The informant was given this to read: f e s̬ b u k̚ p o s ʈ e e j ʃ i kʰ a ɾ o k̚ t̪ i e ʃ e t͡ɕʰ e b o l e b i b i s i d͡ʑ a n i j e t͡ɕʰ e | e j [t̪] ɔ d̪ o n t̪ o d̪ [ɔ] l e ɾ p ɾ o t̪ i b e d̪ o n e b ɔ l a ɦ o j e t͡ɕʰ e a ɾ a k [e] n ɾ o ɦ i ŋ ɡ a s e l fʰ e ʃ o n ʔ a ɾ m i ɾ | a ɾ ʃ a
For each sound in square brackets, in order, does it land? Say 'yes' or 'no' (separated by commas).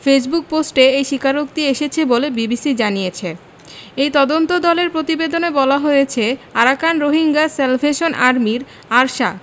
yes, yes, no